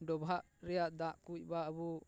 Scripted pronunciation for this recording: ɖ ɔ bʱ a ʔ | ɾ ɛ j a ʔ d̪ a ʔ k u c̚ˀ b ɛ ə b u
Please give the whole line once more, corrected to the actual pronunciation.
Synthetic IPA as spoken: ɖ ɔ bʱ a ʔ | ɾ ɛ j a ʔ d̪ a ʔ k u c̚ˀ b a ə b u